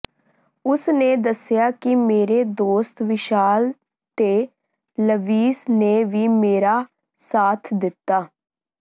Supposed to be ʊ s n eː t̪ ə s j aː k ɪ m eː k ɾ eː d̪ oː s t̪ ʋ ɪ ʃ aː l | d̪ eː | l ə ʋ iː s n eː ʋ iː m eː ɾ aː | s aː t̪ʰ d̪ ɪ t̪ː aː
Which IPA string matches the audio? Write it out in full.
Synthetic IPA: ʊ s n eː d̪ ə s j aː k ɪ m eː ɾ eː d̪ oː s t̪ ʋ ɪ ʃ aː l | t̪ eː | l ə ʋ iː s n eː ʋ iː m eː ɾ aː | s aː t̪ʰ d̪ ɪ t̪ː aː